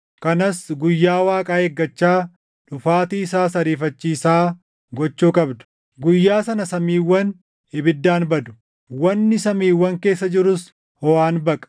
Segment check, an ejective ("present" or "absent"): present